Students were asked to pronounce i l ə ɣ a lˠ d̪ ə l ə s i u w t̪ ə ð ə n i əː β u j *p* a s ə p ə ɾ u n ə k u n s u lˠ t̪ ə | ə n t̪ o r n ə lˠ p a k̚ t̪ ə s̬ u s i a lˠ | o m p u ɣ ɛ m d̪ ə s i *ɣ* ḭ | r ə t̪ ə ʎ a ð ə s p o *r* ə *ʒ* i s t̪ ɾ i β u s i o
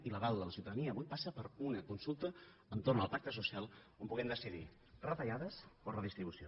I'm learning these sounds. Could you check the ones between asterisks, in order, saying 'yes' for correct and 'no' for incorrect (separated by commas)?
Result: yes, no, yes, no